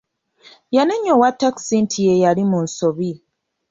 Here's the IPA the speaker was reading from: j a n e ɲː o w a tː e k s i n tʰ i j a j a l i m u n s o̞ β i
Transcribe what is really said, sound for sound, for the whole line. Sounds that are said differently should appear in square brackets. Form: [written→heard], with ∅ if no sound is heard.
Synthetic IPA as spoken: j a n e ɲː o w a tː [e→a] k s i n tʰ i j [a→e] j a l i m u n s o̞ β i